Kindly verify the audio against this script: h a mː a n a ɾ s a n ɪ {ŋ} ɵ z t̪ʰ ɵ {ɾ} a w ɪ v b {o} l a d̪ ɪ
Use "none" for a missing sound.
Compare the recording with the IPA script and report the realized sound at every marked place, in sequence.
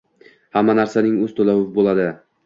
ŋ, l, o

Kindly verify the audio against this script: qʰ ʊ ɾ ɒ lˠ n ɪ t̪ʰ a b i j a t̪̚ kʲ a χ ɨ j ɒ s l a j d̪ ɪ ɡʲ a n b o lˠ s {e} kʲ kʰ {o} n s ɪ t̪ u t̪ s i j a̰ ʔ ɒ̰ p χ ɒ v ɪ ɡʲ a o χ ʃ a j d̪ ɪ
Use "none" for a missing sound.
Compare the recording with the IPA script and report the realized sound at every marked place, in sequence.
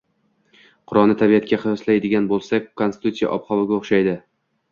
a, o

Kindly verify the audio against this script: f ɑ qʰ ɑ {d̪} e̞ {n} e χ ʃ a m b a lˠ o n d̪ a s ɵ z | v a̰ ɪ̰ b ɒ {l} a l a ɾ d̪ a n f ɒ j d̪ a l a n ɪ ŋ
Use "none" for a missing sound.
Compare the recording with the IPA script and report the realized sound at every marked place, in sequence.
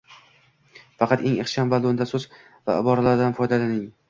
t̪, ŋ, ɾ

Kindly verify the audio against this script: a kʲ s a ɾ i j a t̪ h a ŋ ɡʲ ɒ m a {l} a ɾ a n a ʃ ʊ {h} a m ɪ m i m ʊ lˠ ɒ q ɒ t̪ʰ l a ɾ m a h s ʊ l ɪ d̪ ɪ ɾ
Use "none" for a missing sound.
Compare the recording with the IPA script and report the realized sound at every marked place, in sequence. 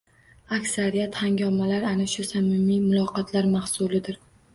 l, s

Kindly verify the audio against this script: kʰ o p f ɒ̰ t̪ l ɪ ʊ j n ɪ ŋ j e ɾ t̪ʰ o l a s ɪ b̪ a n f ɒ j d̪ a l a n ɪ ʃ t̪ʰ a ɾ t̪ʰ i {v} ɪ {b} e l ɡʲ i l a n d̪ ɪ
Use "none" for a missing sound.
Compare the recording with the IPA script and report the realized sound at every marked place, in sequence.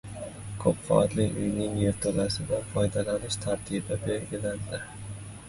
b, b

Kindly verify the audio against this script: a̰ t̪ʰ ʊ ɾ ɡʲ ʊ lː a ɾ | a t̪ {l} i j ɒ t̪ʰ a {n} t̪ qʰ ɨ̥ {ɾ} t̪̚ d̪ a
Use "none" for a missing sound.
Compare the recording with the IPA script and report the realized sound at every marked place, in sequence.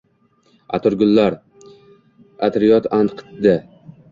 ɾ, n, none

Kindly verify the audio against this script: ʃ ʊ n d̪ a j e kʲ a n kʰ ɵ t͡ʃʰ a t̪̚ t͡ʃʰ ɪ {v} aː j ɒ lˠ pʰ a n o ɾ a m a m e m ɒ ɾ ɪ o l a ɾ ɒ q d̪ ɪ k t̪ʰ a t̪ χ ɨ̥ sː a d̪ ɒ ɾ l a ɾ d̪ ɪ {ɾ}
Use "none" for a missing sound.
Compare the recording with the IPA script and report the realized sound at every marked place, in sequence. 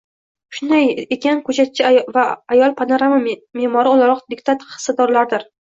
v, ɾ

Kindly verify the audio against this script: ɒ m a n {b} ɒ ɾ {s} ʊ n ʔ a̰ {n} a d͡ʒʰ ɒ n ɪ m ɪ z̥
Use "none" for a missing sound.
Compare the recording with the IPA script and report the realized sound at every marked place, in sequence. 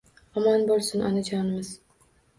b, s, n

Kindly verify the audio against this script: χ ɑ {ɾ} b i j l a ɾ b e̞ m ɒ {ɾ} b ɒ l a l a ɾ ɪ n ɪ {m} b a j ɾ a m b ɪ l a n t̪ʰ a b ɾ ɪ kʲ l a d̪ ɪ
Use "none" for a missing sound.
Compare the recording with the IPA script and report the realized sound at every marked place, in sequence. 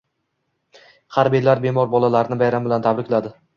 ɾ, ɾ, none

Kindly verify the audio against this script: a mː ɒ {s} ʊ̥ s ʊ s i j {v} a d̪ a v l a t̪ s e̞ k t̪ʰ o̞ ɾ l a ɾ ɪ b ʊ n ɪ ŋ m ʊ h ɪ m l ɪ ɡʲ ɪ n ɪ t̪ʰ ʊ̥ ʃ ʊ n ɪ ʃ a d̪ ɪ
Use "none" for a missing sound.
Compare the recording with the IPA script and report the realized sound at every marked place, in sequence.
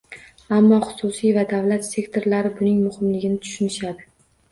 χ, v

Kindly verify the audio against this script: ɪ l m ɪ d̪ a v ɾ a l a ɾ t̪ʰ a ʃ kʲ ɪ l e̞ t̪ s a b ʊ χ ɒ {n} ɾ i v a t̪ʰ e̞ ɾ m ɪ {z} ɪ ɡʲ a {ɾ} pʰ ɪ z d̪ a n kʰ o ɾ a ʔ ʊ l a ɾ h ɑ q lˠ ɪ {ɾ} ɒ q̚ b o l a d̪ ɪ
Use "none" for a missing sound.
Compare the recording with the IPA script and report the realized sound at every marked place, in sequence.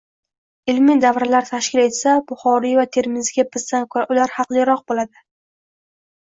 none, z, none, ɾ

